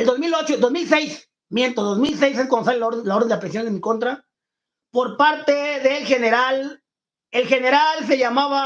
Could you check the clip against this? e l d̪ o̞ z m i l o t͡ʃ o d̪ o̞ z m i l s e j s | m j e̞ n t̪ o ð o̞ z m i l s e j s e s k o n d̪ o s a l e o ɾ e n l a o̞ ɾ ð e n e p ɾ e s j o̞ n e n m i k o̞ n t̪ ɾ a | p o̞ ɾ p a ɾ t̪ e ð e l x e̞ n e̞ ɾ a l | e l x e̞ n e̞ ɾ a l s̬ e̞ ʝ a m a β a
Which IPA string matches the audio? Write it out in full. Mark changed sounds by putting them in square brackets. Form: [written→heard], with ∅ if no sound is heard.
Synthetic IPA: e l d̪ o̞ z m i l o t͡ʃ o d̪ o̞ z m i l s e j s | m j e̞ n t̪ o ð o̞ z m i l s e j s e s k o n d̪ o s a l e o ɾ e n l a o̞ ɾ ð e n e p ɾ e s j o̞ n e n m i k o̞ n t̪ ɾ a | p o̞ ɾ p a ɾ t̪ e ð e l x e̞ n e̞ ɾ a l | e l x e̞ n e̞ ɾ a l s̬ e̞ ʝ a m a β a